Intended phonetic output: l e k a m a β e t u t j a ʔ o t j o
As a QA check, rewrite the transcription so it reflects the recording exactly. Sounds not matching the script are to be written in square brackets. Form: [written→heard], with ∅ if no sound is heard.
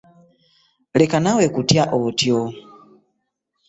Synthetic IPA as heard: l e k a [m→n] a [β→w] e [t→k] u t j a ʔ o t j o